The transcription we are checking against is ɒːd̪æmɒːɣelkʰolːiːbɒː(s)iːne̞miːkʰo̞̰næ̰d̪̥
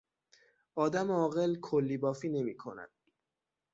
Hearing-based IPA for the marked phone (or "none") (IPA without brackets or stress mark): f